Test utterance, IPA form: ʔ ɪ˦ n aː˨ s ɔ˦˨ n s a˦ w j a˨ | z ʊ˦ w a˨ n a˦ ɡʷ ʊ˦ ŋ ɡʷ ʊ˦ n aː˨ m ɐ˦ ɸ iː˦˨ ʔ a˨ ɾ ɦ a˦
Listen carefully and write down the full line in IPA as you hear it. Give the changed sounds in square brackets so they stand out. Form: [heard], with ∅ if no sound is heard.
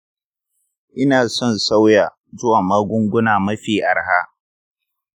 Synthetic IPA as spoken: ʔ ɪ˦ n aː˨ s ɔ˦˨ n s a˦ w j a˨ | z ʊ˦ w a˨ [m] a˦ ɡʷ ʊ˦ ŋ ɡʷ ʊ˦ n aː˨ m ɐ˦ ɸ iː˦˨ ʔ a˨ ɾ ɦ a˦